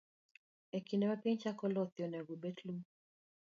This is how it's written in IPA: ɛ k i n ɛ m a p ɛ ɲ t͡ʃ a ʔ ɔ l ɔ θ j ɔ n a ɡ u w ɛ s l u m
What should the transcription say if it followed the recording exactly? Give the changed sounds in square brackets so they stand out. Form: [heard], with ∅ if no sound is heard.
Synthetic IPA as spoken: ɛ k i n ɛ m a p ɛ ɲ t͡ʃ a [k] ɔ l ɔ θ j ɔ n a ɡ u [b] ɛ [t] l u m